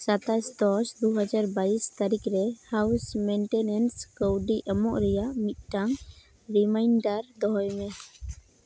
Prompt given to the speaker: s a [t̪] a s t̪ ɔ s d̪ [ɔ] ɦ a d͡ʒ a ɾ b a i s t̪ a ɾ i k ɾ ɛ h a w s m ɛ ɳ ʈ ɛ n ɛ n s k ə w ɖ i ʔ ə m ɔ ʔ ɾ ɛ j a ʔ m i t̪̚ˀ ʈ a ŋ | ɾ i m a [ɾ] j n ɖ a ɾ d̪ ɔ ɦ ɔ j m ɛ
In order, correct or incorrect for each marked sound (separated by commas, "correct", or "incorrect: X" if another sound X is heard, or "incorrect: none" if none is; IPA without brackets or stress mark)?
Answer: correct, incorrect: u, incorrect: none